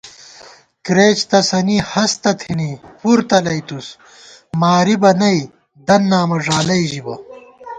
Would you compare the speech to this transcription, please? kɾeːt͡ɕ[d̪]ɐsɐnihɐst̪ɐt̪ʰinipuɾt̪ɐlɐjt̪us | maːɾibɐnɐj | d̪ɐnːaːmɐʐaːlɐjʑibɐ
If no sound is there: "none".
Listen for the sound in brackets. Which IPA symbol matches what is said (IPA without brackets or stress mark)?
t̪